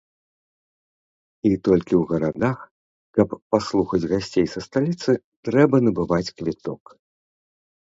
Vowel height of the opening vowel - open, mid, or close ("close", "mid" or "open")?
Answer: close